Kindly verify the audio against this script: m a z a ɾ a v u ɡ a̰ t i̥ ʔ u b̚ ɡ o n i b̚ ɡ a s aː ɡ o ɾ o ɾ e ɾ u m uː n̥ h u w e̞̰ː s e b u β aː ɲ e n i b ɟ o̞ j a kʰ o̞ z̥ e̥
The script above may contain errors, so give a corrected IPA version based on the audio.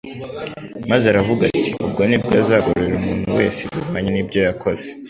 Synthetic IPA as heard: m a z a ɾ a v u ɡ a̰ t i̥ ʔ u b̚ ɡ o n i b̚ ɡ a z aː ɡ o ɾ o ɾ e ɾ u m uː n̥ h u w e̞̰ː s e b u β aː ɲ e n i b ɟ o̞ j a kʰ o̞ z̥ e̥